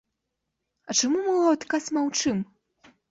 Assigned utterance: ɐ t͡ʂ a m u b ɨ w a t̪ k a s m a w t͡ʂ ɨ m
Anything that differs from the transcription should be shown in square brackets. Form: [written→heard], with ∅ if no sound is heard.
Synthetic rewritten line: ɐ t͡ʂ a m u [b→m] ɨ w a t̪ k a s m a w t͡ʂ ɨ m